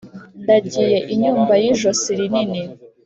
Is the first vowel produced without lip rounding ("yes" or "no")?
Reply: yes